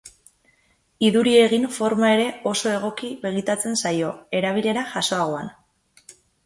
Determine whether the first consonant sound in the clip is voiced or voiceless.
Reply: voiced